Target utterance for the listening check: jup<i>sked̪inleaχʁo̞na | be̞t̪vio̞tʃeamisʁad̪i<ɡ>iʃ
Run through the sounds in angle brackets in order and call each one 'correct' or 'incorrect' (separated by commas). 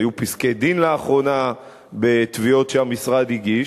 correct, correct